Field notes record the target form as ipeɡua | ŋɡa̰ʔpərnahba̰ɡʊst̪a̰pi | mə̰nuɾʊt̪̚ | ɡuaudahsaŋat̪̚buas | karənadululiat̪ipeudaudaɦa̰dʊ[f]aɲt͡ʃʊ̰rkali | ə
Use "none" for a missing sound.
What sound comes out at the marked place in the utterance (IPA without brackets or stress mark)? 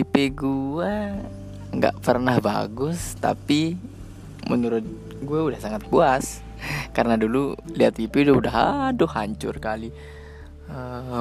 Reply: h